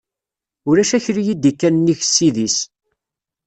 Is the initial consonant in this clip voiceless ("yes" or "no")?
no